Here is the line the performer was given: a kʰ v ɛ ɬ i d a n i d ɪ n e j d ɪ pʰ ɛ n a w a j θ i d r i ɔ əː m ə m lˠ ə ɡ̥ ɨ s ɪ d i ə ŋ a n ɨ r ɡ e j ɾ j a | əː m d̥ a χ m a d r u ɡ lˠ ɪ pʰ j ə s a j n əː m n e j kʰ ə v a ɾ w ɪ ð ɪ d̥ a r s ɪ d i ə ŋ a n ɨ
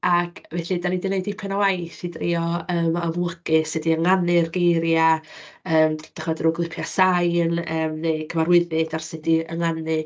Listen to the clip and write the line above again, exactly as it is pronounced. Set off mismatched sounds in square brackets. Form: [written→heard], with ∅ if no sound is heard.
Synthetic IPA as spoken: a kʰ v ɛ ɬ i d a n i d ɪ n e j d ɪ pʰ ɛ n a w a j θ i d r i ɔ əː m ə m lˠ ə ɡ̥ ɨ s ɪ d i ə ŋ a n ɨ r ɡ e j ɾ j a | əː m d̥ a χ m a d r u ɡ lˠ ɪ pʰ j [ə→a] s a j n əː m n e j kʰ ə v a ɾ w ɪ ð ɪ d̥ a r s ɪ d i ə ŋ a n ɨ